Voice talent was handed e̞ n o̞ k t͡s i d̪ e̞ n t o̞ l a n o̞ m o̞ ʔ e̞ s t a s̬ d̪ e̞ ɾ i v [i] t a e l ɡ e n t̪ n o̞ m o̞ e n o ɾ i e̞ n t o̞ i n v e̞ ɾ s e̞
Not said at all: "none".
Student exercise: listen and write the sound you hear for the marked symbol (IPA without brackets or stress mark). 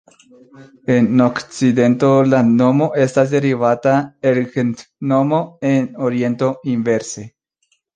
a